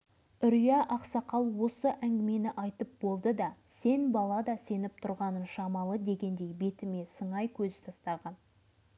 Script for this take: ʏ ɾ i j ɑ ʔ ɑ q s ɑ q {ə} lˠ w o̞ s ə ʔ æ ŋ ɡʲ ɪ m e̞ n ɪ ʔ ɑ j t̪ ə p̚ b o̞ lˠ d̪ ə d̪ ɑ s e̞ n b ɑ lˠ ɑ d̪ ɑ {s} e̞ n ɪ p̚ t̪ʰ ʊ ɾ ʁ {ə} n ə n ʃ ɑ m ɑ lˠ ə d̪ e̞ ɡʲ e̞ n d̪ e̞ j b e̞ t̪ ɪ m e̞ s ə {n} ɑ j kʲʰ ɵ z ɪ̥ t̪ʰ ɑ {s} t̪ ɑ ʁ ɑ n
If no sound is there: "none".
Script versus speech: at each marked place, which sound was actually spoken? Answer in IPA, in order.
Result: ɑ, s, ɑ, ɴ, s

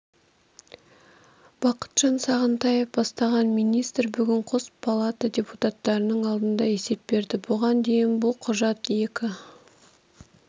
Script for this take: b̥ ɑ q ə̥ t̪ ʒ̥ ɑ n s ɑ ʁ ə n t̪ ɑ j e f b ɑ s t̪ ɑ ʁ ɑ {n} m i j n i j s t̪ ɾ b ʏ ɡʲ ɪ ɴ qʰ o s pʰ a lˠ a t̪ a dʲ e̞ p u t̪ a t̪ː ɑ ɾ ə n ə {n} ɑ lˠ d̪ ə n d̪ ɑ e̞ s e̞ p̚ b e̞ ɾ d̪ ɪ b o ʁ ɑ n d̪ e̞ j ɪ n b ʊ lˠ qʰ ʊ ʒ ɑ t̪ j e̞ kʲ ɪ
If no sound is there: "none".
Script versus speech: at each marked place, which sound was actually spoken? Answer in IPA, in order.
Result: n, ɴ

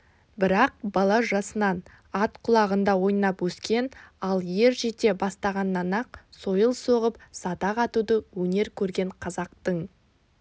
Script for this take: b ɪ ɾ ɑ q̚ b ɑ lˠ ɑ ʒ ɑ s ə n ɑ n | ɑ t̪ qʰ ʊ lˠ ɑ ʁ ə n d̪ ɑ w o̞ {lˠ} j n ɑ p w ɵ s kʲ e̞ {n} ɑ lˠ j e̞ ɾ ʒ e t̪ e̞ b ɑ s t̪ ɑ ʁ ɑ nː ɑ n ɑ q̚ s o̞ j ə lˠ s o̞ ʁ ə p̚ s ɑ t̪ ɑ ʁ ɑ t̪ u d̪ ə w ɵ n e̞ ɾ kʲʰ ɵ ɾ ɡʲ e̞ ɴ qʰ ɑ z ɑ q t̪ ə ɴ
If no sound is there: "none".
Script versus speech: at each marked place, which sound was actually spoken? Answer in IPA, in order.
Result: none, n

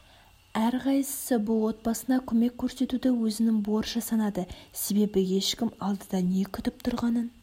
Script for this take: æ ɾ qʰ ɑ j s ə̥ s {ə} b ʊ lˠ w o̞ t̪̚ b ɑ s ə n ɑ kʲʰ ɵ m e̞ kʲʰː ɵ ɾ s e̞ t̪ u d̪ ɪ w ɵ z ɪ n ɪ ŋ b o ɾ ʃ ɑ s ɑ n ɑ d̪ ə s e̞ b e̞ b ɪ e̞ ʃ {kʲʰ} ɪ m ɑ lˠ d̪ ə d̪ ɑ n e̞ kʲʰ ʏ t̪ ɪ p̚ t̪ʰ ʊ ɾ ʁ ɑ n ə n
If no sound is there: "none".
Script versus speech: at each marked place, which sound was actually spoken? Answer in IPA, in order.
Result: ə, kʲ

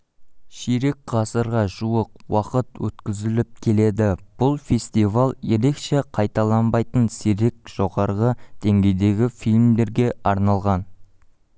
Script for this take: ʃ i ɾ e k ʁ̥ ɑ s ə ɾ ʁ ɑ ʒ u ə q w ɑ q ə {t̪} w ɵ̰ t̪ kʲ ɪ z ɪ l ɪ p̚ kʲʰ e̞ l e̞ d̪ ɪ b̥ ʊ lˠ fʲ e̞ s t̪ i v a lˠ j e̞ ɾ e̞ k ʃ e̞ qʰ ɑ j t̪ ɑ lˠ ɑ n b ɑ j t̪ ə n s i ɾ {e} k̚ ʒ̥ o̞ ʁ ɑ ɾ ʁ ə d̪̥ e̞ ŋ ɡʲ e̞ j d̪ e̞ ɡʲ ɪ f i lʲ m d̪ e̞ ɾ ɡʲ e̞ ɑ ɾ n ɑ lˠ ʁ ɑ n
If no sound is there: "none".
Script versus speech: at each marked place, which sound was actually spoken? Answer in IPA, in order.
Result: t̪, e

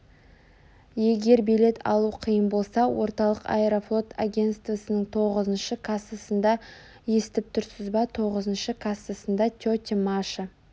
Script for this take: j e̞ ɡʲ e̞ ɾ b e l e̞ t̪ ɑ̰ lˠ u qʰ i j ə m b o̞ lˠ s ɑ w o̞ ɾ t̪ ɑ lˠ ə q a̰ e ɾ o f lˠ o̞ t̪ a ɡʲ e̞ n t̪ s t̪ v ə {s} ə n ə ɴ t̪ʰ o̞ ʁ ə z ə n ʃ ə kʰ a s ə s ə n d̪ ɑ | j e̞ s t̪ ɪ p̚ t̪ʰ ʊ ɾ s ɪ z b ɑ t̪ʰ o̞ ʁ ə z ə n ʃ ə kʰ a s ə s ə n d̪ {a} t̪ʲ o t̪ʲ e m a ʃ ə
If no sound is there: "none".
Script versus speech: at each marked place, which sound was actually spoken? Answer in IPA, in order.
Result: s, ɑ

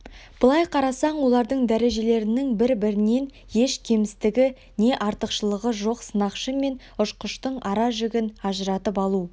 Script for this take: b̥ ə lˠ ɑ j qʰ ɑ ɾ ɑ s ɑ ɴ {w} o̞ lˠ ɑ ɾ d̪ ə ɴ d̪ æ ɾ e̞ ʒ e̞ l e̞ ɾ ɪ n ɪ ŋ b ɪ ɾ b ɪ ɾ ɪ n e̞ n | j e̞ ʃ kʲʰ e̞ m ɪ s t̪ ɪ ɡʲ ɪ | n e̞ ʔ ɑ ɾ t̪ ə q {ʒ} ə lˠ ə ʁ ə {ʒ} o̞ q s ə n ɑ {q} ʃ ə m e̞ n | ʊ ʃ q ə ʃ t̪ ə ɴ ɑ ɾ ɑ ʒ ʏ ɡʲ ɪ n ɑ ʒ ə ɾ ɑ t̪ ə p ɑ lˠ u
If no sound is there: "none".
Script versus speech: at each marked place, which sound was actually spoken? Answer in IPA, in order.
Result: w, ʃ, ʒ, q

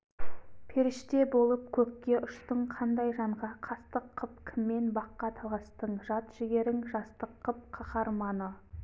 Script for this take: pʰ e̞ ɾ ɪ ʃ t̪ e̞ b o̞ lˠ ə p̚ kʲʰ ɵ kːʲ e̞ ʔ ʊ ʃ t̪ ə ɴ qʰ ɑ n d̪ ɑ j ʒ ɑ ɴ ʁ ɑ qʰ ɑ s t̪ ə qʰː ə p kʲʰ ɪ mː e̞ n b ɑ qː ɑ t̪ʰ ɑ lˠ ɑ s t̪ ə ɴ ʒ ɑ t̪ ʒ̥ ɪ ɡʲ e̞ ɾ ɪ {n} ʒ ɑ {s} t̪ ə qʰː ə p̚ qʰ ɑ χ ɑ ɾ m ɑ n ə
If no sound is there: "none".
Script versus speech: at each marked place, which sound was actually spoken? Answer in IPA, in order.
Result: ŋ, s

